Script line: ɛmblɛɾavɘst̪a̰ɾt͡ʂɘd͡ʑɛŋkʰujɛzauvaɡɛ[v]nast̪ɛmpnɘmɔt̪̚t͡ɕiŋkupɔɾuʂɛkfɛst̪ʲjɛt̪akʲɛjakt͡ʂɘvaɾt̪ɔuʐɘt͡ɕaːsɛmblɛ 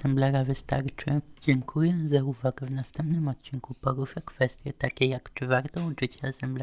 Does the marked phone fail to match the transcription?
no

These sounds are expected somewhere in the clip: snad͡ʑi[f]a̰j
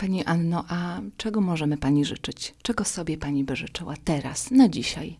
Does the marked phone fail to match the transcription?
yes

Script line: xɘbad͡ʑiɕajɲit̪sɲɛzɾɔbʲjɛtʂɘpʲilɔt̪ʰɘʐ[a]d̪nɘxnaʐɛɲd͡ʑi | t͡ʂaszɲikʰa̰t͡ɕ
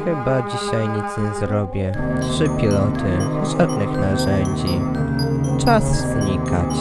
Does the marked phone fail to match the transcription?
no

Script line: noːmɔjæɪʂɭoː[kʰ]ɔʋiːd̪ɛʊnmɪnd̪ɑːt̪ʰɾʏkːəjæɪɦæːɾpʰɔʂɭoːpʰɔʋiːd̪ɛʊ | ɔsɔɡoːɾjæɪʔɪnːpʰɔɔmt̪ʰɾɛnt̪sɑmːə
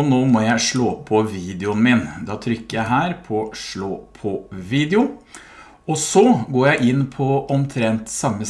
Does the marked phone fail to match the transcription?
yes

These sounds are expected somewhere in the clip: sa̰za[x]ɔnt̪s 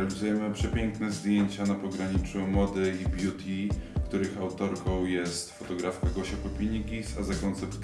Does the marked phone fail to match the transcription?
yes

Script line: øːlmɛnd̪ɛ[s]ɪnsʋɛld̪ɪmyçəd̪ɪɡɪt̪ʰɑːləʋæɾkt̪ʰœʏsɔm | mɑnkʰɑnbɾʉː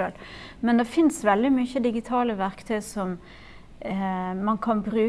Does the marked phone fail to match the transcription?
yes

